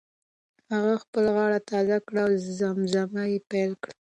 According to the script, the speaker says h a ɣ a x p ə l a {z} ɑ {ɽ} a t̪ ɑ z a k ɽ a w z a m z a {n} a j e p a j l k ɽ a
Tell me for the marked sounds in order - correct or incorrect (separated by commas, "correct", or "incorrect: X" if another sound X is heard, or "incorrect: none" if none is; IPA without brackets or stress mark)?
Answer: incorrect: ɣ, correct, incorrect: m